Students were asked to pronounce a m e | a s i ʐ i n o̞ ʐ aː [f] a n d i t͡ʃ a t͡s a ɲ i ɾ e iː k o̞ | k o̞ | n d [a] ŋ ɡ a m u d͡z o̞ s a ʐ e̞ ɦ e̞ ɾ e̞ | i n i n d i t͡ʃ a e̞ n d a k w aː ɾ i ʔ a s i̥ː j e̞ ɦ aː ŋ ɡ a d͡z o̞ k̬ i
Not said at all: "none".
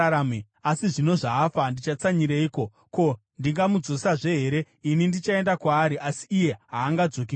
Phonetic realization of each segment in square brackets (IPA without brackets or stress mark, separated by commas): f, i